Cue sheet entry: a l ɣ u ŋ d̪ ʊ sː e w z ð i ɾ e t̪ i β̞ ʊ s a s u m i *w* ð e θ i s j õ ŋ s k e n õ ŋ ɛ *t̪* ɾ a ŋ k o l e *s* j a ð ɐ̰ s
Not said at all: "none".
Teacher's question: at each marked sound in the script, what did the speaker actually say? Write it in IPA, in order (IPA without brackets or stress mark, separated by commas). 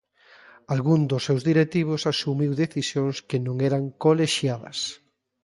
w, none, ʃ